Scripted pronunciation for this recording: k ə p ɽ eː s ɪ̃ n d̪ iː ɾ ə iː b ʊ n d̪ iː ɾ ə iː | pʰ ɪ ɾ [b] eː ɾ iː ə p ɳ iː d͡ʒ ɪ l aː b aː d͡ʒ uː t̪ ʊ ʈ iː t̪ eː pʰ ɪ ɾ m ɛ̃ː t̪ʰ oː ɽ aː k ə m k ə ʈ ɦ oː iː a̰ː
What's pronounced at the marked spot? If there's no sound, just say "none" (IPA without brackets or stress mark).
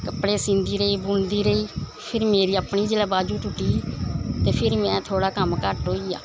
m